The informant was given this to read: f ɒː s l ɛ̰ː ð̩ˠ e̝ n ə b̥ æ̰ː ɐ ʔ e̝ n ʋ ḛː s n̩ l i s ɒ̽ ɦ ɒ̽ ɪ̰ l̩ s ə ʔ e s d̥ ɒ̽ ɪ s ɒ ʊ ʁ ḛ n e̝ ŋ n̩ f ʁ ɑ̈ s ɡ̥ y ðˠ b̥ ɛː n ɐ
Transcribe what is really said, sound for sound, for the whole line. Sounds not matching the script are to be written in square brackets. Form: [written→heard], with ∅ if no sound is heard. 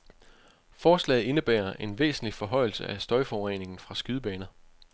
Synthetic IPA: f ɒː s l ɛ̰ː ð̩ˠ e̝ n ə b̥ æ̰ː ɐ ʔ e̝ n ʋ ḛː s n̩ l i [s→f] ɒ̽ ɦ ɒ̽ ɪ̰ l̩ s ə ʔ [e→æ] s d̥ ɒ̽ ɪ [s→f] ɒ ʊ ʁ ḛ n e̝ ŋ n̩ f ʁ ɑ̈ s ɡ̥ y ðˠ b̥ ɛː n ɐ